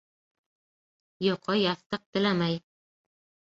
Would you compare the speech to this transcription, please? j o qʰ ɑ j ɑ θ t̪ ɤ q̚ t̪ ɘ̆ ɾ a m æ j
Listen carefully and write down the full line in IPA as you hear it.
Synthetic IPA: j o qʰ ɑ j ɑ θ t̪ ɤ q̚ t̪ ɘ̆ l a m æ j